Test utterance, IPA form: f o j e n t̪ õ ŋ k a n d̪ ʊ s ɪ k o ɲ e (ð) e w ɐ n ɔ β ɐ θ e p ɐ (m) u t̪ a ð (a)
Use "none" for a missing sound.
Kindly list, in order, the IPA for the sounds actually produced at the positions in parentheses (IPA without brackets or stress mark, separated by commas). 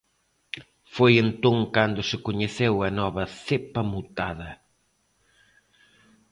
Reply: θ, m, ɐ